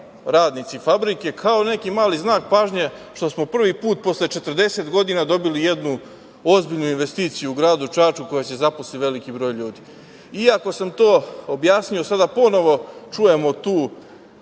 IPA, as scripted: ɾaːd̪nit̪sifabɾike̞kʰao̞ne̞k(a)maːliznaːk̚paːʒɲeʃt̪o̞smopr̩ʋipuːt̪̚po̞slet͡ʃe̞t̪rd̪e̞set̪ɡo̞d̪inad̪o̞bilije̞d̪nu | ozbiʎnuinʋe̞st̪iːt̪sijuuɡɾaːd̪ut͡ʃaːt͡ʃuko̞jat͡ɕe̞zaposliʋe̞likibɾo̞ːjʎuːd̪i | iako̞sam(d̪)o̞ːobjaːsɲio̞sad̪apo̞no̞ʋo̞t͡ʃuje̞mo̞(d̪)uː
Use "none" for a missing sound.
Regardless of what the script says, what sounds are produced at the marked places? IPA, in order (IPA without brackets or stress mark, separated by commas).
i, t̪, t̪